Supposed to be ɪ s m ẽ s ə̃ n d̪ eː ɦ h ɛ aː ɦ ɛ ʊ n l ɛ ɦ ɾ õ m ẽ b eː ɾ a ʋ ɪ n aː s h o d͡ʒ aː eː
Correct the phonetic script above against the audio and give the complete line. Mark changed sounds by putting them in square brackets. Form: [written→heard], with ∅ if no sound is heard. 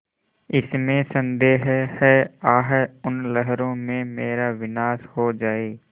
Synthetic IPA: ɪ s m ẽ s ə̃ n d̪ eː ɦ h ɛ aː ɦ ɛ ʊ n l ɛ ɦ ɾ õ m ẽ [b→m] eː ɾ a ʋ ɪ n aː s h o d͡ʒ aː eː